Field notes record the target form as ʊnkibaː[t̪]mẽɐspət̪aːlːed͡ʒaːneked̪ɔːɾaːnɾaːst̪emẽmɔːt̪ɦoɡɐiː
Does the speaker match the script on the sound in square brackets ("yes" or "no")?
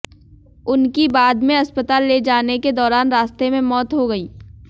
no